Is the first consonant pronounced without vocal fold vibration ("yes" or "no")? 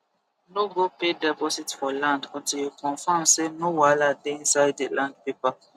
no